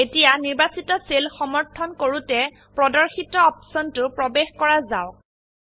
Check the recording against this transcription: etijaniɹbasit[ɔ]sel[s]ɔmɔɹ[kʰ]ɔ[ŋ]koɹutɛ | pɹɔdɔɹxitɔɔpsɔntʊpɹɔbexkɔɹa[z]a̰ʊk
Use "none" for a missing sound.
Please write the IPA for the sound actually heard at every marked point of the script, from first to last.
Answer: ɔ, x, tʰ, n, z

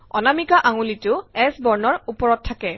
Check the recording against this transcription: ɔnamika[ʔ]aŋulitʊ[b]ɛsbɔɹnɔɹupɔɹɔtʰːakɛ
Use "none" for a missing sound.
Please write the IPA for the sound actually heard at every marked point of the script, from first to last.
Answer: ʔ, none

